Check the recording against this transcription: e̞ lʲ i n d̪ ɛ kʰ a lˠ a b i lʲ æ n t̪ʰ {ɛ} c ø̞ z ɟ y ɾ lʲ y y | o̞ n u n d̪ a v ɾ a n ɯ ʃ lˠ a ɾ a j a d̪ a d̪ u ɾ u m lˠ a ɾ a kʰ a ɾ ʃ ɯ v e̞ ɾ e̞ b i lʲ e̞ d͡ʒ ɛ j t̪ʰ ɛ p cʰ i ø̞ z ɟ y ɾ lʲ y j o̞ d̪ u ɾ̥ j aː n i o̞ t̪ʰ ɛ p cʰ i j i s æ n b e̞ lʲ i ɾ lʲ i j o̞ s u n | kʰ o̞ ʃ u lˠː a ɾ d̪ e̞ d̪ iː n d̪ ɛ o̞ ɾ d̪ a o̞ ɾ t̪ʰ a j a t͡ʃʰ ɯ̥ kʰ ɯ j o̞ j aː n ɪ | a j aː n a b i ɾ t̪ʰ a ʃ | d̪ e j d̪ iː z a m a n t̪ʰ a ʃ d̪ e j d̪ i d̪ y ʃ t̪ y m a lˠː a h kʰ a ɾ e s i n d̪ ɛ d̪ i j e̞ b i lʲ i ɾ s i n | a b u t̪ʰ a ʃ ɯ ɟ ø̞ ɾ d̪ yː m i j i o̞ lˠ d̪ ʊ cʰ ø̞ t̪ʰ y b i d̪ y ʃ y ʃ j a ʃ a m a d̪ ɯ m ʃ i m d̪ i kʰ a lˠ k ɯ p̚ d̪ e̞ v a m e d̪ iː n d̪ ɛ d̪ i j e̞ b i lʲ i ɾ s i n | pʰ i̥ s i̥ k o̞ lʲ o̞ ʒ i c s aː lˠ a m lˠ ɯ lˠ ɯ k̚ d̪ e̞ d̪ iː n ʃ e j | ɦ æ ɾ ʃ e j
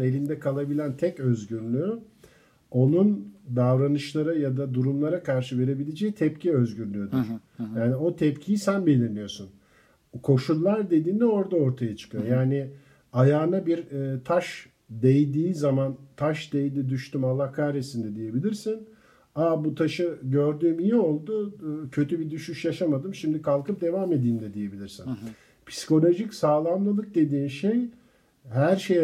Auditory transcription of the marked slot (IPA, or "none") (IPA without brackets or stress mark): ɛ